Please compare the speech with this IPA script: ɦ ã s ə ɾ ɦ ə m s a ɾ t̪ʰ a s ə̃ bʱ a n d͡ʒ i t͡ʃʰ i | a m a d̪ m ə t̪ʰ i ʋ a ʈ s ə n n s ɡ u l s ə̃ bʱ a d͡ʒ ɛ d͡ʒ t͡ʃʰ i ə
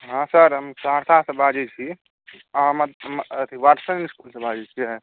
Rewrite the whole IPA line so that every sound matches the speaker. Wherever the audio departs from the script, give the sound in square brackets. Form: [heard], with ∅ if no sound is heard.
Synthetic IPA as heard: ɦ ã s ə ɾ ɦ ə m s a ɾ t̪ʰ a s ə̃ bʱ a [∅] d͡ʒ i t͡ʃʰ i | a m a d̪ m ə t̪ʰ i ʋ a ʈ s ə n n s [k] u l s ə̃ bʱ a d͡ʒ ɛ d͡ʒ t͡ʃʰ i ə